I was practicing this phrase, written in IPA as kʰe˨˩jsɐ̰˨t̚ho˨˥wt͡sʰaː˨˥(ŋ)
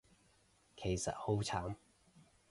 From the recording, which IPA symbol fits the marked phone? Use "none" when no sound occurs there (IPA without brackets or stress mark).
m